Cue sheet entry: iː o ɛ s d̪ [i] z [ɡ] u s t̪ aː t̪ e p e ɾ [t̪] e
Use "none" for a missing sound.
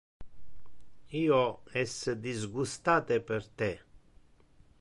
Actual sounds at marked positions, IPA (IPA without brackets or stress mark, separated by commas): i, ɡ, t̪